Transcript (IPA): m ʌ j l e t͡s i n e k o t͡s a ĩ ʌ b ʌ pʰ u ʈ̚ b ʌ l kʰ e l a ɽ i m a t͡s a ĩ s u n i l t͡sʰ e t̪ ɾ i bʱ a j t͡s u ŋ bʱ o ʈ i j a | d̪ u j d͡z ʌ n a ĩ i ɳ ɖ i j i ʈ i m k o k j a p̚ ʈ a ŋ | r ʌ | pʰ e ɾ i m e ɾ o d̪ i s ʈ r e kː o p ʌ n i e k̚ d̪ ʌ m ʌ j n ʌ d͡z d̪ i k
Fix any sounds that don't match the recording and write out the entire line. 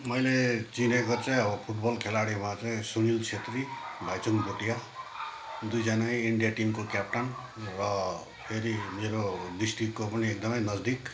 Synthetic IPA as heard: m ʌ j l e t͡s i n e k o t͡s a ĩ ʌ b ʌ pʰ u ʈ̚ b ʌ l kʰ e l a ɽ i m a t͡s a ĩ s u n i l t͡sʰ e t̪ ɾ i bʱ a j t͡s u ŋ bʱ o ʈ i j a | d̪ u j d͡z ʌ n a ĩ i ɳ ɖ i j a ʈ i m k o k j a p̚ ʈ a n | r ʌ | pʰ e ɾ i m e ɾ o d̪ i s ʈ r i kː o p ʌ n i e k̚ d̪ ʌ m ʌ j n ʌ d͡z d̪ i k